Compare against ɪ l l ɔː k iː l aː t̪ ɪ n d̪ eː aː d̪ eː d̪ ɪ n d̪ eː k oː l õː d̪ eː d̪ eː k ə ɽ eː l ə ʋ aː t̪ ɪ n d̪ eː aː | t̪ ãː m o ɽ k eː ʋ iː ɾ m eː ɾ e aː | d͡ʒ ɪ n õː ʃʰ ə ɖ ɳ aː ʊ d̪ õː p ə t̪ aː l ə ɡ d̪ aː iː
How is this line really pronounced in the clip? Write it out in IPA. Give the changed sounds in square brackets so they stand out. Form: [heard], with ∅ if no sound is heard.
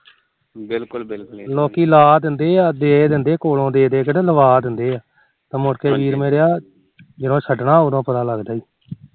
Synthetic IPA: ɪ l l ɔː k iː l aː [d̪] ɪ n d̪ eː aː d̪ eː d̪ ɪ n d̪ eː k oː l õː d̪ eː d̪ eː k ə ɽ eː l ə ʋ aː [d̪] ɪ n d̪ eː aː | t̪ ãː m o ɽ k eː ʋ iː ɾ m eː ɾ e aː | d͡ʒ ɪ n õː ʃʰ ə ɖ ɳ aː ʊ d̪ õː p ə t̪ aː l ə ɡ d̪ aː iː